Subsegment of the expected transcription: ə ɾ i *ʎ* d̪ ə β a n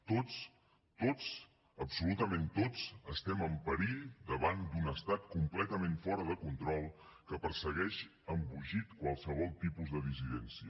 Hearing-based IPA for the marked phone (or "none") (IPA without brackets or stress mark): ʎ